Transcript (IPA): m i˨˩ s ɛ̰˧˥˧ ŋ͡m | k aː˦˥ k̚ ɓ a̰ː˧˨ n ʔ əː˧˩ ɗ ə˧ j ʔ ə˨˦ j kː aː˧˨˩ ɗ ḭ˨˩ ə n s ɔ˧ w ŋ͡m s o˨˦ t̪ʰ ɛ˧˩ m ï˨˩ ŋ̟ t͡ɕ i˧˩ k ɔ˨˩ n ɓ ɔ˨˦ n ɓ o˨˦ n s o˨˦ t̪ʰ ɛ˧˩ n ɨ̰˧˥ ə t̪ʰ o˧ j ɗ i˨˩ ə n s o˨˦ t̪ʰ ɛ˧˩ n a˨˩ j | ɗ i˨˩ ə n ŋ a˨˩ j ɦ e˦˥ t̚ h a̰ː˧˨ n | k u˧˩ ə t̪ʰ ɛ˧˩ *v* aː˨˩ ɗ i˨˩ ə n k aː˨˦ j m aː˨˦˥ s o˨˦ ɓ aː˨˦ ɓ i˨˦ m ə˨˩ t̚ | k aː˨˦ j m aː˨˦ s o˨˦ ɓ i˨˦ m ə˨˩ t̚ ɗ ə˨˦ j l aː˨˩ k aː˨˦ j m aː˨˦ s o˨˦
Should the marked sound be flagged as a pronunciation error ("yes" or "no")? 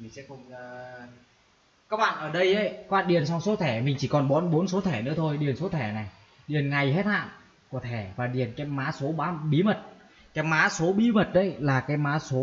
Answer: no